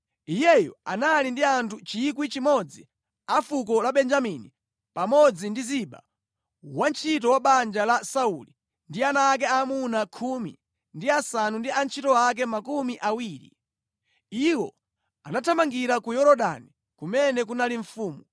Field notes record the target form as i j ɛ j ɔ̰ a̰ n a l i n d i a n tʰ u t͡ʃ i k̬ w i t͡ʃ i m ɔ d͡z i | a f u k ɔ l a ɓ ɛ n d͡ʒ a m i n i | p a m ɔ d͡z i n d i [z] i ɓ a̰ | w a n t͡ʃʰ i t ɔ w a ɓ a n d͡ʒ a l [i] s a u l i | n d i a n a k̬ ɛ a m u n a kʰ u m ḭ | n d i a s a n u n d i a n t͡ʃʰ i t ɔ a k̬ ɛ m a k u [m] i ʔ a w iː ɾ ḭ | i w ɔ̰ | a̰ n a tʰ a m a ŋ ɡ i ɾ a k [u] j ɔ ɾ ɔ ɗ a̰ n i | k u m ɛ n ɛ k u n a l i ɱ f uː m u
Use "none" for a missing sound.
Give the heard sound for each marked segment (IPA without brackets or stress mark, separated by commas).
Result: z, a, m, u